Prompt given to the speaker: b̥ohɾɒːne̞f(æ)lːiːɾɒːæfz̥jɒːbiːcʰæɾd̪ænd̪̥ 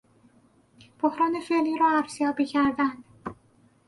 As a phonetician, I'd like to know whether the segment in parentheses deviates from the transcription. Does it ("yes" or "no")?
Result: yes